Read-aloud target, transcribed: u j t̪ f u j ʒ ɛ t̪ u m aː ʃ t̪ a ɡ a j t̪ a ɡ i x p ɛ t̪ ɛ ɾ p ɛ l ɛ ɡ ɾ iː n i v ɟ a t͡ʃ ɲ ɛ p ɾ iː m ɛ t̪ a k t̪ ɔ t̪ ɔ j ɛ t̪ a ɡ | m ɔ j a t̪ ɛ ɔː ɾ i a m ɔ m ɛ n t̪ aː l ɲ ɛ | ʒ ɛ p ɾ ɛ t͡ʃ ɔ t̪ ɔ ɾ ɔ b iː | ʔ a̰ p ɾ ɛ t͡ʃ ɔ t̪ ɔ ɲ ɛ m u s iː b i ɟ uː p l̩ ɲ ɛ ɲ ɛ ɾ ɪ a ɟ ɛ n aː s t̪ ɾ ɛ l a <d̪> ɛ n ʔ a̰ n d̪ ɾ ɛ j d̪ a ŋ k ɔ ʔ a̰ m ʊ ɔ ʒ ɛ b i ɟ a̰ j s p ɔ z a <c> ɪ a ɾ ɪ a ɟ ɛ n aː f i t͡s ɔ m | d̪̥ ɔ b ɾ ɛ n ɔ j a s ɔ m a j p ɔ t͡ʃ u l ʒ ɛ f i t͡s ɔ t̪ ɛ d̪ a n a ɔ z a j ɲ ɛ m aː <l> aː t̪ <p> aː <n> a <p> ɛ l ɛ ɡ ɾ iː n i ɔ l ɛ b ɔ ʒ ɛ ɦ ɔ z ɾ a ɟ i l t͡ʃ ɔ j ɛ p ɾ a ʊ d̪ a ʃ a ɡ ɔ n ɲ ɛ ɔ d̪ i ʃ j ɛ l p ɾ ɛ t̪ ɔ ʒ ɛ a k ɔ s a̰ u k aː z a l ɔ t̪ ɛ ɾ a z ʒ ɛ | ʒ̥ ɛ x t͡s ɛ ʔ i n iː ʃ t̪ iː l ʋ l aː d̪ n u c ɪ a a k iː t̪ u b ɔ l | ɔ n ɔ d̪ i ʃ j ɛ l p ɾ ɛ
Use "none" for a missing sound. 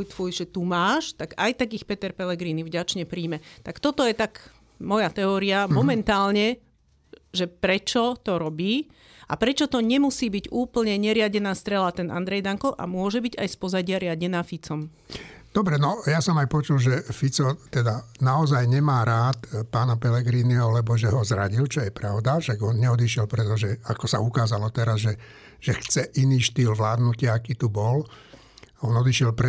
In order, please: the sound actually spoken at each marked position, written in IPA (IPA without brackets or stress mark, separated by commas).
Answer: t̪, ɟ, ɾ, p, n, p